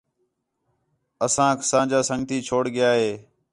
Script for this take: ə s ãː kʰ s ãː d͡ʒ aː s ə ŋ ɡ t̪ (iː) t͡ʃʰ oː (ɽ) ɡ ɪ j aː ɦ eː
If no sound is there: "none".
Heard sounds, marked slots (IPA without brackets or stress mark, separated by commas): iː, ɽ